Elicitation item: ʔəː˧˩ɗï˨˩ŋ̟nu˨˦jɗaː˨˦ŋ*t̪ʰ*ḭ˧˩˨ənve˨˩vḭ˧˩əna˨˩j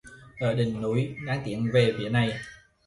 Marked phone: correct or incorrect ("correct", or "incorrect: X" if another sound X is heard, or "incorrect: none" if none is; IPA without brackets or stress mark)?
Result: incorrect: t̪